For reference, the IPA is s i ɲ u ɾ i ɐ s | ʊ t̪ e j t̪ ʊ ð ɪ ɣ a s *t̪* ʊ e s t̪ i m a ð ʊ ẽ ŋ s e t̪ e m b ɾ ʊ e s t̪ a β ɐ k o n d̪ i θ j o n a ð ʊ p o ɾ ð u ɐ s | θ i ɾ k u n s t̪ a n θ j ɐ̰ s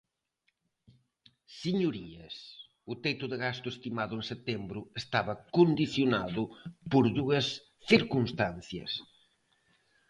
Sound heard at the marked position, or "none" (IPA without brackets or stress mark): t̪